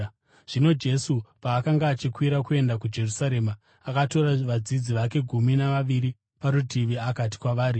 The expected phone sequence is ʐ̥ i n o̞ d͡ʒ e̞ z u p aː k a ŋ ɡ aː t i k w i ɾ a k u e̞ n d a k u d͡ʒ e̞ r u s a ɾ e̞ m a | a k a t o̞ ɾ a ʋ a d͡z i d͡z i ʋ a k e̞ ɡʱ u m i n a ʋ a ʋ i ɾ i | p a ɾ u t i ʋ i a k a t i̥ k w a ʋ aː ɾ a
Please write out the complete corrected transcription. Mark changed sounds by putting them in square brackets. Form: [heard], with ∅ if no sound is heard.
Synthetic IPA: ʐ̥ i n o̞ d͡ʒ e̞ [s] u p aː k a ŋ ɡ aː [t͡ʃ] i k w i ɾ a k u e̞ n d a k u d͡ʒ e̞ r u s a ɾ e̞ m a | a k a t o̞ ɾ a ʋ a d͡z i d͡z i ʋ a k e̞ ɡʱ u m i n a ʋ a ʋ i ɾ i | p a ɾ u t i ʋ i a k a t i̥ k w a ʋ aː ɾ [i]